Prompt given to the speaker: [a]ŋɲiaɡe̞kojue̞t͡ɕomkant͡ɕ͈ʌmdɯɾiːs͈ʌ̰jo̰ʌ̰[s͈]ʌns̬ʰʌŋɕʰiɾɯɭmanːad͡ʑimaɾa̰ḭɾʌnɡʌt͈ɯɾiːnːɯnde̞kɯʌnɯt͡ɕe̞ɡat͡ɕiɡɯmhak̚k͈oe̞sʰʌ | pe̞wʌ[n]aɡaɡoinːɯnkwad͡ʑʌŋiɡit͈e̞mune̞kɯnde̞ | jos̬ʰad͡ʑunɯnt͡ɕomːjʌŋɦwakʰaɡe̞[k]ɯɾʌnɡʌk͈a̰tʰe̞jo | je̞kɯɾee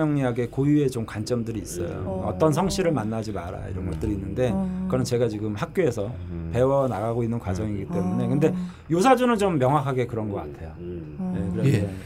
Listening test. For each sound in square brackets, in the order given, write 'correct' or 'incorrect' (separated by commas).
incorrect, incorrect, correct, correct